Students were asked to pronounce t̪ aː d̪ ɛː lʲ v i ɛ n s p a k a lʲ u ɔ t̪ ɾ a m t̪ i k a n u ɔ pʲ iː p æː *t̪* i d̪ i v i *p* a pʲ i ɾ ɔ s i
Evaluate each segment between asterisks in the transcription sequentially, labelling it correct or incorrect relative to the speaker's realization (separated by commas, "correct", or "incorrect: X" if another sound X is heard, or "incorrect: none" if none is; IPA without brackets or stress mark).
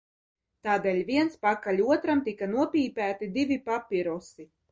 correct, correct